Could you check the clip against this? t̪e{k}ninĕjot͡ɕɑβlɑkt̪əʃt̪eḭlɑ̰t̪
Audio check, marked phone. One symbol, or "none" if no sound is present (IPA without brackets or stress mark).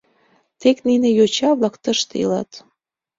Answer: k